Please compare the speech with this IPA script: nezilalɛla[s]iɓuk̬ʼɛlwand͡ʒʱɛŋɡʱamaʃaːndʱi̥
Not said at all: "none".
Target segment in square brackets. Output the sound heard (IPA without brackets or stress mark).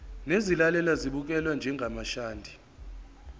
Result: z